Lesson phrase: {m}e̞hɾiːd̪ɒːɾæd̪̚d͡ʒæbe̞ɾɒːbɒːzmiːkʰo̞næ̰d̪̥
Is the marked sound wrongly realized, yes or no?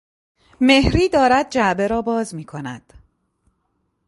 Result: no